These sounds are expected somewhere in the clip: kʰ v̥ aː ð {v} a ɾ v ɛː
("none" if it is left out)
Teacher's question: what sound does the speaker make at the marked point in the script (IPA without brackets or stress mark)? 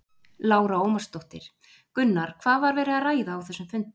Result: v